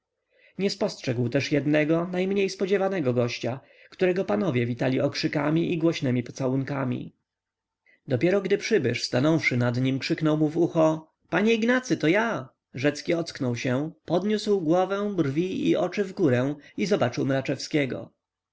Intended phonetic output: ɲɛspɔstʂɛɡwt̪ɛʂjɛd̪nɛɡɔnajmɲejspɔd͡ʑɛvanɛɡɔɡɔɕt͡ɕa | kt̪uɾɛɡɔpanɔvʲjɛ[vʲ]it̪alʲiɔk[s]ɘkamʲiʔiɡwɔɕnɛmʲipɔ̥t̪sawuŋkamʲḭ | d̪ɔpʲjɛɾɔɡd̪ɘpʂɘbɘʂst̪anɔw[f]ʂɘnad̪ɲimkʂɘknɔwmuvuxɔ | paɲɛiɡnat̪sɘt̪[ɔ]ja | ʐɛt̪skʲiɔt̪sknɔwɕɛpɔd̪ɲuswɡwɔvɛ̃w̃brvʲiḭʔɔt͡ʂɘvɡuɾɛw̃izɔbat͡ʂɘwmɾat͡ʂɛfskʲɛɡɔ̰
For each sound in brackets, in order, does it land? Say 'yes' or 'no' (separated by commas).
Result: yes, no, yes, yes